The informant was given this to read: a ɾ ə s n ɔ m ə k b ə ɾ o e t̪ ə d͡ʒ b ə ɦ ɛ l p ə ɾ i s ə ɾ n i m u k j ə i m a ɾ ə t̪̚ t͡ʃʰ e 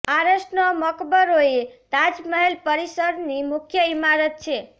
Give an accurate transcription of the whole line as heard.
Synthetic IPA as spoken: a ɾ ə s n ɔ m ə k b ə ɾ o e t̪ a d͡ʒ m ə ɦ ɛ l p ə ɾ i s ə ɾ n i m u kʰ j ə i m a ɾ ə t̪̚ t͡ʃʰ e

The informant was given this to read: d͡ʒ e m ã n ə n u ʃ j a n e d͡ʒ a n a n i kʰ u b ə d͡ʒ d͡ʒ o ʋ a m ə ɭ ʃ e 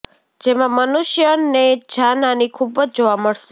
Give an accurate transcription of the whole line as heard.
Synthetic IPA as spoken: d͡ʒ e m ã m ə n u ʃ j ə n e d͡ʒ a n a n i kʰ u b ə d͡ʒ d͡ʒ o ʋ a m ə ɭ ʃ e

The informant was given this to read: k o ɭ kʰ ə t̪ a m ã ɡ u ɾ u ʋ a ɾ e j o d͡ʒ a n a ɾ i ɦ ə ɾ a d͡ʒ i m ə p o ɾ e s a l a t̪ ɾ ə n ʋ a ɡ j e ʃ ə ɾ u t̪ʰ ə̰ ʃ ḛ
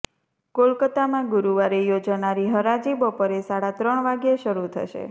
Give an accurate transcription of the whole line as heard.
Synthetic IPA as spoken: k o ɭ k ə t̪ a m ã ɡ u ɾ u ʋ a ɾ e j o d͡ʒ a n a ɾ i ɦ ə ɾ a d͡ʒ i b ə p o ɾ e s a ɽ a t̪ ɾ ə ɳ ʋ a ɡ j e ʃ ə ɾ u t̪ʰ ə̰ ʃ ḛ

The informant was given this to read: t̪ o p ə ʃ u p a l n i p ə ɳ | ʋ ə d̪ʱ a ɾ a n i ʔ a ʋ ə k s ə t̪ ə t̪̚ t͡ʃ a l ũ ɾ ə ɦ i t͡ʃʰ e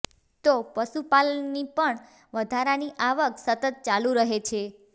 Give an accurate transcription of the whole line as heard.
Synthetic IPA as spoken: t̪ o p ə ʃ u p a l n i p ə ɳ | ʋ ə d̪ʱ a ɾ a n i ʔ a ʋ ə k s ə t̪ ə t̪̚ t͡ʃ a l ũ ɾ ə ɦ e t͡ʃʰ e

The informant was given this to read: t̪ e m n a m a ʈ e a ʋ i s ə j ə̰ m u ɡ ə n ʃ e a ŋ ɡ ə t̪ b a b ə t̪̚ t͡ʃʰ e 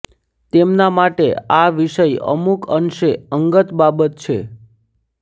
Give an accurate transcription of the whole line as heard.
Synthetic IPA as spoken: t̪ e m n a m a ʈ e a ʋ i ʃ ə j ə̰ m u k ə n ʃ e ə ŋ ɡ ə t̪ b a b ə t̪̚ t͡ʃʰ e

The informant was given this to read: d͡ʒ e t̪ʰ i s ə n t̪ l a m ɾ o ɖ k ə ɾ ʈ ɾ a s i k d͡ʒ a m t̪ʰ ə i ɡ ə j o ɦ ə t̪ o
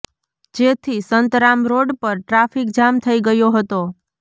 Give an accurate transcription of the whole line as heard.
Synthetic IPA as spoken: d͡ʒ e t̪ʰ i s ə n t̪ ɾ a m ɾ o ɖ p ə ɾ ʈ ɾ a f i k d͡ʒ a m t̪ʰ ə i ɡ ə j o ɦ ə t̪ o

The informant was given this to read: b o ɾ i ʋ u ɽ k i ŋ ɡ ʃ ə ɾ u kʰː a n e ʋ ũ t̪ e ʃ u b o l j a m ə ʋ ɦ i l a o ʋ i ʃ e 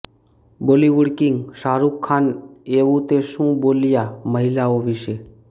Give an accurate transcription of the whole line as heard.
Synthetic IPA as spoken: b o l i ʋ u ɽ k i ŋ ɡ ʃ a ɾ u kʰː a n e ʋ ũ t̪ e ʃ ũ b o l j a m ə ɦ i l a o ʋ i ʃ e

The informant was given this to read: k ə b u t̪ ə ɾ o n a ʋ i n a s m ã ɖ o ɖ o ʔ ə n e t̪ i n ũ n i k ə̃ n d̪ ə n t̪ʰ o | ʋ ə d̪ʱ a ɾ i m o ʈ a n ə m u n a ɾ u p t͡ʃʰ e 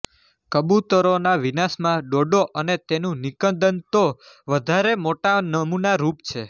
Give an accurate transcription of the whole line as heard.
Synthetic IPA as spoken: k ə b u t̪ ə ɾ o n a ʋ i n a s m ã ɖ o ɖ o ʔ ə n e t̪ e n ũ n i k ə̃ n d̪ ə n t̪ o | ʋ ə d̪ʱ a ɾ e m o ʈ a n ə m u n a ɾ u p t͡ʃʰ e

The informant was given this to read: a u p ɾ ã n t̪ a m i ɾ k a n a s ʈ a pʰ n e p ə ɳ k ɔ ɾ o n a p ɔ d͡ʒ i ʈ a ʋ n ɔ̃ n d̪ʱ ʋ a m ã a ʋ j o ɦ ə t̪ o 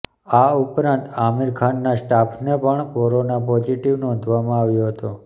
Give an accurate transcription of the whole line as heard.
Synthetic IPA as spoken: a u p ɾ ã n t̪ a m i ɾ kʰ a nː a s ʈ a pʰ n e p ə ɳ k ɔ ɾ o n a p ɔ d͡ʒ i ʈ i ʋ n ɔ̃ n d̪ʱ ʋ a m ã a ʋ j o ɦ ə t̪ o

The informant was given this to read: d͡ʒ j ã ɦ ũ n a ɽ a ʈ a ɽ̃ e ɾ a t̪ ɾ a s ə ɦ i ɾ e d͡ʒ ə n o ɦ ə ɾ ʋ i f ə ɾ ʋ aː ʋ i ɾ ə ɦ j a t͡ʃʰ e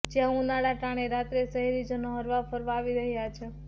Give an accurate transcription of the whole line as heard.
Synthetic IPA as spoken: d͡ʒ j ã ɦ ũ n a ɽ a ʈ a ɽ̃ e ɾ a t̪ ɾ e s ə ɦ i ɾ i d͡ʒ ə n o ɦ ə ɾ ʋ a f ə ɾ ʋ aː ʋ i ɾ ə ɦ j a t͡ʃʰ e

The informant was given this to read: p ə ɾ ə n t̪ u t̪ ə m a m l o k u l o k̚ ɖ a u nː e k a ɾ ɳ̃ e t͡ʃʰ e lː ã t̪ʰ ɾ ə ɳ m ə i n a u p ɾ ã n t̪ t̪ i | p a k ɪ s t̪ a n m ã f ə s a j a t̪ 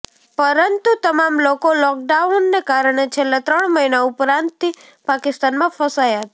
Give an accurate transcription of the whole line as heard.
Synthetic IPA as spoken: p ə ɾ ə n t̪ u t̪ ə m a m l o k o l ɔ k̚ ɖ a u nː e k a ɾ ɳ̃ e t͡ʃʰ e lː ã t̪ ɾ ə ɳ m ə i n a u p ɾ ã n t̪ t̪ i | p a k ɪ s t̪ a n m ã f ə s a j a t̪

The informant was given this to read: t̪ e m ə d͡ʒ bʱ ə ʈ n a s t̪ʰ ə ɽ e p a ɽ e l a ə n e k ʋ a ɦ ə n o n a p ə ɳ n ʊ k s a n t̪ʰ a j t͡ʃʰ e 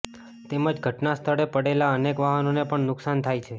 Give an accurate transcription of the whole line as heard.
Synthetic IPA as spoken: t̪ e m ə d͡ʒ ɡʱ ə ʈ n a s t̪ʰ ə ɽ e p ə ɽ e l a ə n e k ʋ a ɦ ə n o n e p ə ɳ n ʊ k s a n t̪ʰ a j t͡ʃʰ e

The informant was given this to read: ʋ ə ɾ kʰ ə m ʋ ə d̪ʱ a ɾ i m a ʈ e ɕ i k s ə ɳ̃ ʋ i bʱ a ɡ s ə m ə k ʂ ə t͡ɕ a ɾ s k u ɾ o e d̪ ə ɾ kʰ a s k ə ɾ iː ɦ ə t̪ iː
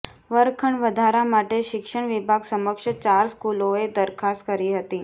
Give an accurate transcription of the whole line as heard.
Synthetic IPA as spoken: ʋ ə ɾ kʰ ə ɳ ʋ ə d̪ʱ a ɾ a m a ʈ e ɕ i k ʂ ə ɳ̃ ʋ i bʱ a ɡ s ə m ə k ʂ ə t͡ɕ a ɾ s k u l o e d̪ ə ɾ kʰ a s k ə ɾ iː ɦ ə t̪ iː

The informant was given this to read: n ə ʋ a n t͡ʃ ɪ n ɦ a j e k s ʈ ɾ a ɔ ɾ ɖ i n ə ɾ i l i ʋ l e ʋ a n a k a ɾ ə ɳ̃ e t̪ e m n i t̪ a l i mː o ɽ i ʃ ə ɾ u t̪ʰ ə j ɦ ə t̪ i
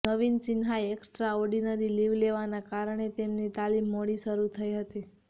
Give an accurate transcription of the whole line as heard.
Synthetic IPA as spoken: n ə ʋ i n t͡ʃ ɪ n ɦ a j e k s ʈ ɾ a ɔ ɾ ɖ i n ə ɾ i l i ʋ l e ʋ a n a k a ɾ ə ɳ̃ e t̪ e m n i t̪ a l i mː o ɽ i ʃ ə ɾ u t̪ʰ ə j ɦ ə t̪ i

